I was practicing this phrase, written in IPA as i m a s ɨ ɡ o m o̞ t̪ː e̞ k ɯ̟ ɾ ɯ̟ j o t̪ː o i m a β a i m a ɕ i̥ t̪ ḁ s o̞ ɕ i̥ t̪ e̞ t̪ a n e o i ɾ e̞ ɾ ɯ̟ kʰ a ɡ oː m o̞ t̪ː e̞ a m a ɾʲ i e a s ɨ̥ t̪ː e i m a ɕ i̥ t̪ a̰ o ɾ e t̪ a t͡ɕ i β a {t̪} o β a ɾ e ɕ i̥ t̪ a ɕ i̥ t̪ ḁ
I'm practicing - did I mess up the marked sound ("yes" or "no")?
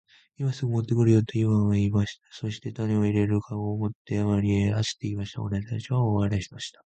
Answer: yes